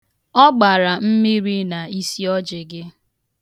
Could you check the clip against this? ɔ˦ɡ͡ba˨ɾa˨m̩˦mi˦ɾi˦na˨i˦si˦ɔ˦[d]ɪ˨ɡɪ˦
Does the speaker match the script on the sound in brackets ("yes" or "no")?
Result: no